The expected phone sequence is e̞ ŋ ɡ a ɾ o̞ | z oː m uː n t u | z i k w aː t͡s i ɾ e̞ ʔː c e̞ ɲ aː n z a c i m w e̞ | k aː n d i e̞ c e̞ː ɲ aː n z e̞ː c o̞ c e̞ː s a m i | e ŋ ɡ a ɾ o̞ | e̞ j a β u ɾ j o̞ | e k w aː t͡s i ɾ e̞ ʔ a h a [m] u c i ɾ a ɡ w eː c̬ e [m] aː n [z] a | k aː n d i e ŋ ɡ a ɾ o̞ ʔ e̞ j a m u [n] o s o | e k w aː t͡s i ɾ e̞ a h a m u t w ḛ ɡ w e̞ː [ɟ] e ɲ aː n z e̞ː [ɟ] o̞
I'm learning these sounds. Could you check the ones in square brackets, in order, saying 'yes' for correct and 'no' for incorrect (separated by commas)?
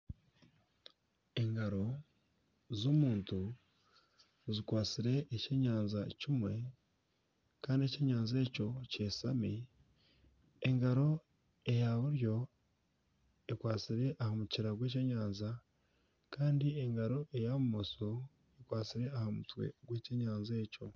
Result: yes, no, yes, no, no, no